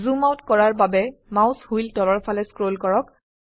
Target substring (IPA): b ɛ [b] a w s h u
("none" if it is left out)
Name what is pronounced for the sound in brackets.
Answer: m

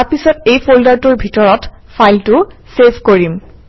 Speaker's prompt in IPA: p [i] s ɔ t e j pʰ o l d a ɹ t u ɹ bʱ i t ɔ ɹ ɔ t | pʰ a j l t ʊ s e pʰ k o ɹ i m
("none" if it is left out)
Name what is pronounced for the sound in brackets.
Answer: i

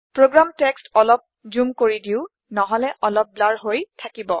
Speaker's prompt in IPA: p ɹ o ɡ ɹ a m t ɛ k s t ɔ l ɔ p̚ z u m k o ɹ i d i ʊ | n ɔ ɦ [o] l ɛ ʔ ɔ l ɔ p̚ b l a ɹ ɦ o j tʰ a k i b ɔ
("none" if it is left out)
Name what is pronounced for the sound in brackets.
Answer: ɔ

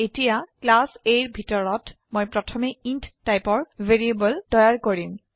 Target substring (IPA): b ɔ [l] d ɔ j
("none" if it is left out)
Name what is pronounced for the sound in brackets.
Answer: l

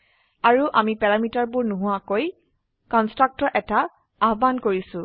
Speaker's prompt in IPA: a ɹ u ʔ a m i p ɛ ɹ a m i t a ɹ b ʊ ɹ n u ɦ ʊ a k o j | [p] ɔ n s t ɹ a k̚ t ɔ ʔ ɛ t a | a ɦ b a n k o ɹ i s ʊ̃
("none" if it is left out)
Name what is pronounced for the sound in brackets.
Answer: k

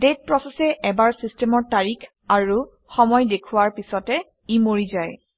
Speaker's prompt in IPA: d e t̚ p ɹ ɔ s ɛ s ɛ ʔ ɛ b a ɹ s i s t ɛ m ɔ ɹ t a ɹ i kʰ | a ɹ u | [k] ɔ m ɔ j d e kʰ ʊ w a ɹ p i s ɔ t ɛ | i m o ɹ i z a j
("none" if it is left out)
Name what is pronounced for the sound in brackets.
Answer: x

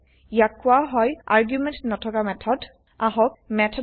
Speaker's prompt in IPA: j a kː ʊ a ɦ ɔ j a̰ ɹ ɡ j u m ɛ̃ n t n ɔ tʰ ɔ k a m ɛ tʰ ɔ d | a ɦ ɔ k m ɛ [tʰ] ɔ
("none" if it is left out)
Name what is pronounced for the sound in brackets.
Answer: tʰ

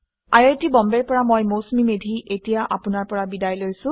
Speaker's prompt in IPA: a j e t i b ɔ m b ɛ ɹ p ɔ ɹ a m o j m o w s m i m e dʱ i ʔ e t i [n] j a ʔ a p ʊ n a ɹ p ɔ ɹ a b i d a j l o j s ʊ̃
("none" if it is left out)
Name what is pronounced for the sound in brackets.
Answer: none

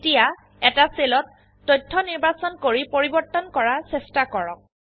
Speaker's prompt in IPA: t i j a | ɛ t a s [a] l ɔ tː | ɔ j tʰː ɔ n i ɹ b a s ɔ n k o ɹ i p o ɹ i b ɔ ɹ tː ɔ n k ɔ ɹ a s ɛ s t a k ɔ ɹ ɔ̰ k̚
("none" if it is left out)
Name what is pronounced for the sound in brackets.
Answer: e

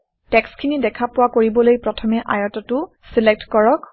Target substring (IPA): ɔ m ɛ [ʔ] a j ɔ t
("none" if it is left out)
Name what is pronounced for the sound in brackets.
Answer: ʔ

